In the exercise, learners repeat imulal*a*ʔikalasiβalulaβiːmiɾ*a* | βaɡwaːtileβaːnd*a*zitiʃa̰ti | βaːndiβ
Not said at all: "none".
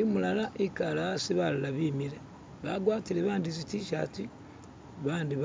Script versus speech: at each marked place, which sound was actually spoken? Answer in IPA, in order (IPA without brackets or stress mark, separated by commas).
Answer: a, e, i